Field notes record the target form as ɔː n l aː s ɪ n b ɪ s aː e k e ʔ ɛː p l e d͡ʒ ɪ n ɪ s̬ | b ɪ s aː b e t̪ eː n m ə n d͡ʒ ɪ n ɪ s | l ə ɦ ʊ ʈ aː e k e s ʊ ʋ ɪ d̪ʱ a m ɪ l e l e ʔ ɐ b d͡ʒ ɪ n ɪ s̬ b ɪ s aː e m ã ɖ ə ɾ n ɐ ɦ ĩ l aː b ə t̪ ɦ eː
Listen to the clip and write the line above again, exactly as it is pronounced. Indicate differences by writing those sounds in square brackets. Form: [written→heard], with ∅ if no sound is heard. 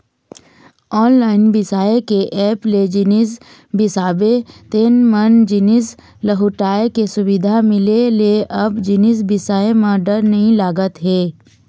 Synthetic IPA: ɔː n l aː [s→∅] ɪ n b ɪ s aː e k e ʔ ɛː p l e d͡ʒ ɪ n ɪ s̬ | b ɪ s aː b e t̪ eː n m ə n d͡ʒ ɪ n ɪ s | l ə ɦ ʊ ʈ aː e k e s ʊ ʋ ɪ d̪ʱ a m ɪ l e l e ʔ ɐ b d͡ʒ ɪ n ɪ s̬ b ɪ s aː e m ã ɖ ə ɾ n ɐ ɦ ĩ l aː [b→ɡ] ə t̪ ɦ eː